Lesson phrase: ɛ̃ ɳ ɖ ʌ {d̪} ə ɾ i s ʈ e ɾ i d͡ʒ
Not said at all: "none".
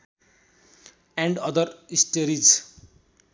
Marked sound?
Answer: d̪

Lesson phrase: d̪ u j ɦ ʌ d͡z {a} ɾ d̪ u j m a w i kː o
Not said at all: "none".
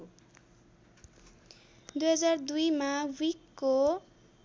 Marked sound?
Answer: a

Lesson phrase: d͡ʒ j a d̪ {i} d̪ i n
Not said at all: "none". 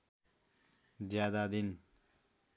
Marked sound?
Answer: a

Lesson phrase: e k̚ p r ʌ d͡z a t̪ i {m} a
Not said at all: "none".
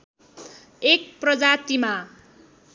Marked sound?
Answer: m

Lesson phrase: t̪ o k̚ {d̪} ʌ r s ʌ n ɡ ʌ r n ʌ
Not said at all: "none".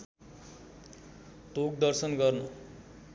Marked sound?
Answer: d̪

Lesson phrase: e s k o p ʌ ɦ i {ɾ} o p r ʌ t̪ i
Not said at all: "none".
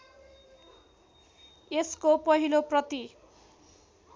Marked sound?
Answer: l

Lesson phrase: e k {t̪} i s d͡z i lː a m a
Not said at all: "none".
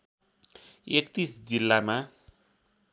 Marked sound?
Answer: t̪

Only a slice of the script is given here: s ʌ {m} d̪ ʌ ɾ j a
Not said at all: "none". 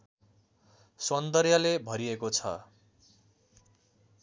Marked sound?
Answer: n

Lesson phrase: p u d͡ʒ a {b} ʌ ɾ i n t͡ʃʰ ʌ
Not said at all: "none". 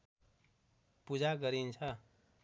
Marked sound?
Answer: ɡ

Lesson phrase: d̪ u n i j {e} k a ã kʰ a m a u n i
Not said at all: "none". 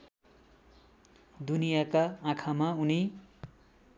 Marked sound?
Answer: a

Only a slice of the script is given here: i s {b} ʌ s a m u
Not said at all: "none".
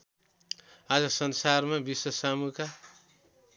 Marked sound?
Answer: w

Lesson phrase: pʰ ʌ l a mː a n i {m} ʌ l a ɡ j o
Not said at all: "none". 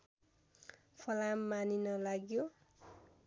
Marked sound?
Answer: n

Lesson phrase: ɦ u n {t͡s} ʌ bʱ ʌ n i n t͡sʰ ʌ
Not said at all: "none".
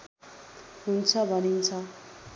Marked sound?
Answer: t͡sʰ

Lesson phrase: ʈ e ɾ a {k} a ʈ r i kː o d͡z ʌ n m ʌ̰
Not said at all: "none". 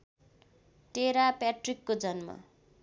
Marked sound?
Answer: p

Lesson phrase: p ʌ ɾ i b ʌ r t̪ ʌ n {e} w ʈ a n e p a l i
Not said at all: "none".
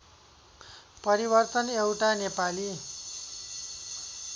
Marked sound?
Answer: e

